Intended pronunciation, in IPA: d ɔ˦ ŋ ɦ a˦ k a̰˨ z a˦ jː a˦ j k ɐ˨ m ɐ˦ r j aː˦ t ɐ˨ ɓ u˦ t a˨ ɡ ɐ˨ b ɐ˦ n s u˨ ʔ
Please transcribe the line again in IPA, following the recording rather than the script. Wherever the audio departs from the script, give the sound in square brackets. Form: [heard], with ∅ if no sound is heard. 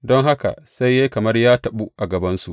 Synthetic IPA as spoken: d ɔ˦ ŋ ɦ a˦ k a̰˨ [s] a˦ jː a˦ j k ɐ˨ m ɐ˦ r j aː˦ t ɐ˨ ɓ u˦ [ʔ] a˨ ɡ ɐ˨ b ɐ˦ n s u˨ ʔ

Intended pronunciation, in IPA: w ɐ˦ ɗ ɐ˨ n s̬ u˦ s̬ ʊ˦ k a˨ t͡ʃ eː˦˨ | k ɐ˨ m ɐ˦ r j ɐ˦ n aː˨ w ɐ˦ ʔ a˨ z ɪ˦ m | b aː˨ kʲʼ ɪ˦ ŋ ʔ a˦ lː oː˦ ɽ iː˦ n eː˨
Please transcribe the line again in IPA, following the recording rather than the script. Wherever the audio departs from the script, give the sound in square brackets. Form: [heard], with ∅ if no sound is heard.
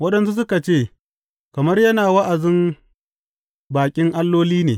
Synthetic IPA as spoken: w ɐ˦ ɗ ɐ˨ n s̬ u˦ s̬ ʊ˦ k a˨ t͡ʃ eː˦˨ | k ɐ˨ m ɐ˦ r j ɐ˦ n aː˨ w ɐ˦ ʔ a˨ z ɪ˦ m | b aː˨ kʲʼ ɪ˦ ŋ ʔ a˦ lː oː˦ [l] iː˦ n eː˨

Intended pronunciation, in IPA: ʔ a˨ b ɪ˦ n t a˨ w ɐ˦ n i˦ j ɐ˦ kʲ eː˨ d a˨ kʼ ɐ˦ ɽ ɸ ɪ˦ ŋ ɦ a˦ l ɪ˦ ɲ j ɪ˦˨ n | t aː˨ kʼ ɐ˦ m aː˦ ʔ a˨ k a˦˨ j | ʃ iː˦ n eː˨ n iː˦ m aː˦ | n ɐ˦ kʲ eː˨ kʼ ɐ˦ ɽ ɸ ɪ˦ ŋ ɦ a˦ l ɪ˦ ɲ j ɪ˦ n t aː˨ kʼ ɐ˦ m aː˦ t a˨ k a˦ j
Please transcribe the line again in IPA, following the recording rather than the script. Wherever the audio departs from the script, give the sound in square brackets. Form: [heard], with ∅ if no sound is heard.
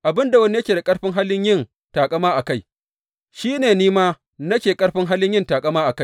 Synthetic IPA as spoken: ʔ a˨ b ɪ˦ n [d] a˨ w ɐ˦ n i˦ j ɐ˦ kʲ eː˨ d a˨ kʼ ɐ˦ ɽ ɸ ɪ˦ ŋ ɦ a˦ l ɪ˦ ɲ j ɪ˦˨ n | t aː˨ kʼ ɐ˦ m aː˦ ʔ a˨ k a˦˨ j | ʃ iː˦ n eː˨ n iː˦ m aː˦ | n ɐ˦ kʲ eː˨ kʼ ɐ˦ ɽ ɸ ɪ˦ ŋ ɦ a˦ l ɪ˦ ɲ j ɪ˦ n t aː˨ kʼ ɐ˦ m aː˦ [ʔ] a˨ k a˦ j

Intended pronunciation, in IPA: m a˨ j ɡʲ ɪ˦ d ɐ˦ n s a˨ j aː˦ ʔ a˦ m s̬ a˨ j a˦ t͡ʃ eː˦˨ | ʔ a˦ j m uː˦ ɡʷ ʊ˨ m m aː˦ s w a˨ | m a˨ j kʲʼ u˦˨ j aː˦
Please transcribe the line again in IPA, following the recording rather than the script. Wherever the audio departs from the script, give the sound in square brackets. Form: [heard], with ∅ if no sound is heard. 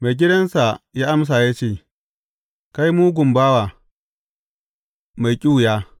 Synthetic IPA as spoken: m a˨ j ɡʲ ɪ˦ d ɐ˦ n s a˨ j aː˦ ʔ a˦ m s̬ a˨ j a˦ t͡ʃ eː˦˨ | [k] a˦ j m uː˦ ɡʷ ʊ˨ m [b] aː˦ [∅] w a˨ | m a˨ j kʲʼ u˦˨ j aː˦

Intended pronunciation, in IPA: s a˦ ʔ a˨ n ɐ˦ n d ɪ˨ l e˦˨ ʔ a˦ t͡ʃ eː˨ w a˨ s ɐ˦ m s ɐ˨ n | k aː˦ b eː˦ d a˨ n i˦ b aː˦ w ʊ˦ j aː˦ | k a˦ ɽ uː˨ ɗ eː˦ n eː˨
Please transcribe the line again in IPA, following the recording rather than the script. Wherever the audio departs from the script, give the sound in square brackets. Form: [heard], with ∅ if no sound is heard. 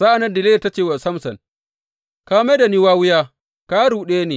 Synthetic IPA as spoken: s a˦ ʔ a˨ n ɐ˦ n d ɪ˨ l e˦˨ [t] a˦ t͡ʃ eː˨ w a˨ s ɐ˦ m s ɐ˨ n | k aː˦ [m] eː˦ d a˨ n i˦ [w] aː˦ w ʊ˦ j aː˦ | k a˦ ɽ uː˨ ɗ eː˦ n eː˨

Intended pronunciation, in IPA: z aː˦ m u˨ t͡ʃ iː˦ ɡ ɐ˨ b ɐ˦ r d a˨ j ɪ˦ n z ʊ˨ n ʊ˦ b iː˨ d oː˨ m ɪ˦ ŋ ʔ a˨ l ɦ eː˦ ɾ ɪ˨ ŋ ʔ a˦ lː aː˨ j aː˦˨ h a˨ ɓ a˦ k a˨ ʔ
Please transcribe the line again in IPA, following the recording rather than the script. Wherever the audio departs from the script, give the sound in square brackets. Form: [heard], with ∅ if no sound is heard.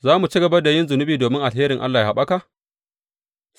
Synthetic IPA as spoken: z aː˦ m u˨ t͡ʃ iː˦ ɡ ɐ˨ b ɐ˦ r d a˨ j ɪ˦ n z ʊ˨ n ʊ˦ b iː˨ d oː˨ m ɪ˦ ŋ ʔ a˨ l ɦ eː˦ ɾ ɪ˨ ŋ ʔ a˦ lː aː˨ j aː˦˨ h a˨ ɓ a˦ k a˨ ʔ

